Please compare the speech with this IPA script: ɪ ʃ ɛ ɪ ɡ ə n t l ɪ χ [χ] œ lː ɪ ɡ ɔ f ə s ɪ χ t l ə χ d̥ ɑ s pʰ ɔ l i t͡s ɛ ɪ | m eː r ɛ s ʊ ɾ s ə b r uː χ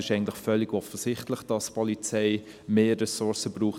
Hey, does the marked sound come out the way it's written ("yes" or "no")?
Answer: no